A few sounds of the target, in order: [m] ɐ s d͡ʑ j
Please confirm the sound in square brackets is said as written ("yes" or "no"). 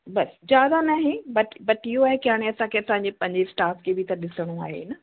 no